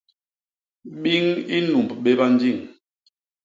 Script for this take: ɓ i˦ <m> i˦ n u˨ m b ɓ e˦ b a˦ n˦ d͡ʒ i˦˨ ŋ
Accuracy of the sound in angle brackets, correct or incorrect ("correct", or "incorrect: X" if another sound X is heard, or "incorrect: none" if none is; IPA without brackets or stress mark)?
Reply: incorrect: ŋ